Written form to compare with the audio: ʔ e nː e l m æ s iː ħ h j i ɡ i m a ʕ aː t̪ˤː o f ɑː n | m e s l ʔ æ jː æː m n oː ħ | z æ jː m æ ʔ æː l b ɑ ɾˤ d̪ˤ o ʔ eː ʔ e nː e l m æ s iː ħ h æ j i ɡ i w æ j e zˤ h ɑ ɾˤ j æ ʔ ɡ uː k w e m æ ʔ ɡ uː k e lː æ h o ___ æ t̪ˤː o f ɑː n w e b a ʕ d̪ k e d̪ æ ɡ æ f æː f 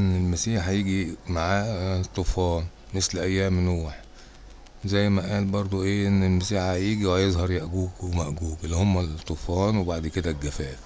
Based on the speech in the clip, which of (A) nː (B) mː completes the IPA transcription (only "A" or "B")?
B